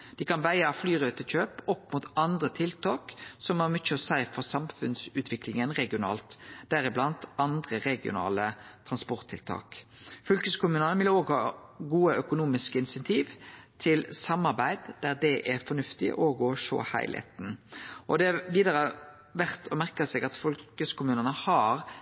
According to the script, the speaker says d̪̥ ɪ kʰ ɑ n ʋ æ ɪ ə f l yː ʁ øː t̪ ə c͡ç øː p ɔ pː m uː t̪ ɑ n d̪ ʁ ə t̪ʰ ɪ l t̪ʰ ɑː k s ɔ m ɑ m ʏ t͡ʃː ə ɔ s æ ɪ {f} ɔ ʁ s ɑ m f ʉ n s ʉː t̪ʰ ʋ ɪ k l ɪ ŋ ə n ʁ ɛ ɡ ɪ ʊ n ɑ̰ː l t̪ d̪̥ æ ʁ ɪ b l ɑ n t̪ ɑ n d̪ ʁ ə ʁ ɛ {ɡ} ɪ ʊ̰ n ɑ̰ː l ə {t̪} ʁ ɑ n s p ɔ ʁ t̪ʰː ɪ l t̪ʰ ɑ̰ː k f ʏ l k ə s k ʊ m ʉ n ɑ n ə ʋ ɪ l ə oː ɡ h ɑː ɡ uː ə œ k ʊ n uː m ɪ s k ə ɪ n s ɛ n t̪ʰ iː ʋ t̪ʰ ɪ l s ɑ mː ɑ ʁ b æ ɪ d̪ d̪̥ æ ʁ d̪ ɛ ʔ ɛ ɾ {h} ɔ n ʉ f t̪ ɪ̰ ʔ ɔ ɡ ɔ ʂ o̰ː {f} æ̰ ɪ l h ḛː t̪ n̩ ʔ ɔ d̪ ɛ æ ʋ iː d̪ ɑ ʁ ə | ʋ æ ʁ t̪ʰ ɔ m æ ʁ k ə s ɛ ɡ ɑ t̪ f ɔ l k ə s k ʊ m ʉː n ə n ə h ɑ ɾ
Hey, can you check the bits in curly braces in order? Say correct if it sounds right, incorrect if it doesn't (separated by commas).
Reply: correct, correct, incorrect, incorrect, incorrect